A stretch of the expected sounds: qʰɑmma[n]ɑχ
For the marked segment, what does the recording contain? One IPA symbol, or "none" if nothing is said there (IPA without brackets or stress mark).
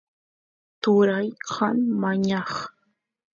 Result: ɲ